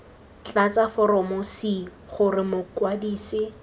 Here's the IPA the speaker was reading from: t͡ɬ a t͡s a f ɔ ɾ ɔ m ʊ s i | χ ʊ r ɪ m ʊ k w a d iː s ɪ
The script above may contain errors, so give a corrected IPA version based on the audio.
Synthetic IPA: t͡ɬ a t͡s a f ɔ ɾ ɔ m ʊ s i | χ ʊ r ɪ m ʊ k w a d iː s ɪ